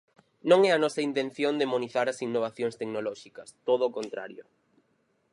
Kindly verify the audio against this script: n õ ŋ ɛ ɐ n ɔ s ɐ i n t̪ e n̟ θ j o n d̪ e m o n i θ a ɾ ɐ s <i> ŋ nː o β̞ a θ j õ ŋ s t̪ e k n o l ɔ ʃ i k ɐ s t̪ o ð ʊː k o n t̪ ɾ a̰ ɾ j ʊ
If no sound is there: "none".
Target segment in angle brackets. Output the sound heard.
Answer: i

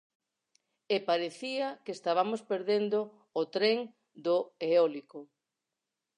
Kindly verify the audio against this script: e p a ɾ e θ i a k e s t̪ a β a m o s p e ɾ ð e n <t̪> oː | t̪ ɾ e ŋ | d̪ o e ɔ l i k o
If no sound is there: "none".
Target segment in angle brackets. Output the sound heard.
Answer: d̪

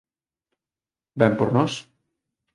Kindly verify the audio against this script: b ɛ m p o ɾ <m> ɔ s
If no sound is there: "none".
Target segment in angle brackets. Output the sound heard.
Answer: n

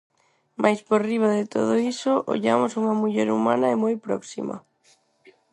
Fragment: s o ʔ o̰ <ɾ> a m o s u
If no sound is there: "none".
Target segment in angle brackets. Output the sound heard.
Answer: ʎ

